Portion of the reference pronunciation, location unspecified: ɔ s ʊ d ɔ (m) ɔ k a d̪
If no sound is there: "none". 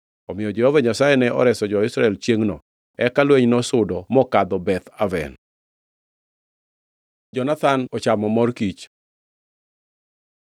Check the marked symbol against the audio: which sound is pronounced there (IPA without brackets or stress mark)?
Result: m